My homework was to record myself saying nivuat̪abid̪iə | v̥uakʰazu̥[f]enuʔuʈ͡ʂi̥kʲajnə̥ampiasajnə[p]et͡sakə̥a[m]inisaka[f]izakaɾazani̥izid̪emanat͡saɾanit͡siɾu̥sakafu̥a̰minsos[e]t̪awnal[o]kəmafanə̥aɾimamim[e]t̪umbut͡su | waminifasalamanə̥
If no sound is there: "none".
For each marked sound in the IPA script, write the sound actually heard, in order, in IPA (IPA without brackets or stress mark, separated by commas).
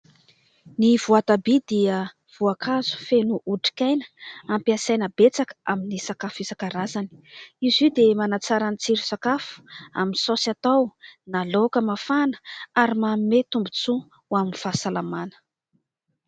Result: f, b, m, f, a, o, e